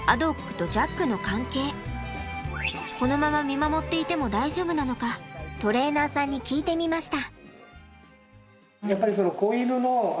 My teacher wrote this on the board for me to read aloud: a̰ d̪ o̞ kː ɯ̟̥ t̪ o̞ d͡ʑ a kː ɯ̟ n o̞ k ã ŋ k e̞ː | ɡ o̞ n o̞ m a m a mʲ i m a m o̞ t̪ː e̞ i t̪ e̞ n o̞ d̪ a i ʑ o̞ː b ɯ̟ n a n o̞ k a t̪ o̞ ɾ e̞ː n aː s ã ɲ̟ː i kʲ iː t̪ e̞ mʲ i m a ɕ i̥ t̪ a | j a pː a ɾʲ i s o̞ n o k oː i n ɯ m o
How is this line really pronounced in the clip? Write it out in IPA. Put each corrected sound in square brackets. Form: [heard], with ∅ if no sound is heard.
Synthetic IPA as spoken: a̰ d̪ o̞ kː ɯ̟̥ t̪ o̞ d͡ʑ a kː ɯ̟ n o̞ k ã ŋ k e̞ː | [k] o̞ n o̞ m a m a mʲ i m a m o̞ t̪ː e̞ i t̪ e̞ [m] o̞ d̪ a i ʑ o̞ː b ɯ̟ n a n o̞ k a t̪ o̞ ɾ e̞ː n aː s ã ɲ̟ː i kʲ iː t̪ e̞ mʲ i m a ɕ i̥ t̪ a | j a pː a ɾʲ i s o̞ n o k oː i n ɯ [n] o